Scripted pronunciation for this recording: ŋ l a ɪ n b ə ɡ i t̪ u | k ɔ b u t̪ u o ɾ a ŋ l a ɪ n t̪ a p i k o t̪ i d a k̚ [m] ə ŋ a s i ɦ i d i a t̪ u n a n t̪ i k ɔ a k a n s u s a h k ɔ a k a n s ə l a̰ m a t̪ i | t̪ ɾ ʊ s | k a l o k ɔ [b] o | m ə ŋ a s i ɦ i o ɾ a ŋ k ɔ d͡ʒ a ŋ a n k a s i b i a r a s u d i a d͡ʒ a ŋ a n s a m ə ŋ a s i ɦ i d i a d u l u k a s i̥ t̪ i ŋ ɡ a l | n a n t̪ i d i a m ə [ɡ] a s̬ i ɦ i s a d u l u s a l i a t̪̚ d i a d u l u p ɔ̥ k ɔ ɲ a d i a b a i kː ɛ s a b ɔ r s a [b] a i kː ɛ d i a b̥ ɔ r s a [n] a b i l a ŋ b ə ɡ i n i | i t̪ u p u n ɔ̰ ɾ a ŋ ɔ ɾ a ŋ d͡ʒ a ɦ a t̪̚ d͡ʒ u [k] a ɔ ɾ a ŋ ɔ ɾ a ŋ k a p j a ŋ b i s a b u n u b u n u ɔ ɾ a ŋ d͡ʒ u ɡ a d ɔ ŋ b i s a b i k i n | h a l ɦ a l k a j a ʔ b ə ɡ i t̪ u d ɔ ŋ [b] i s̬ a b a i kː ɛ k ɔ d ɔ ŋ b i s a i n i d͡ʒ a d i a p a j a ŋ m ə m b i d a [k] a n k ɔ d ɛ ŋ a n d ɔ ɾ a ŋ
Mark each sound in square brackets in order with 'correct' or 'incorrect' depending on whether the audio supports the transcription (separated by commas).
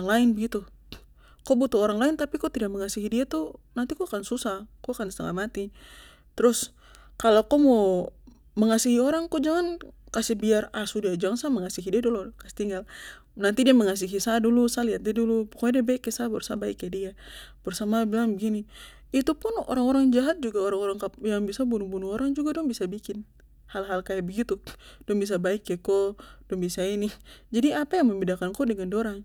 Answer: correct, incorrect, incorrect, correct, incorrect, incorrect, correct, correct